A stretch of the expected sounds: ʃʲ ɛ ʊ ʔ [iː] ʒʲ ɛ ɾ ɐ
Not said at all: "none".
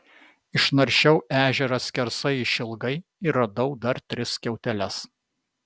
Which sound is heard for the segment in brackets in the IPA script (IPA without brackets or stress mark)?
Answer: æː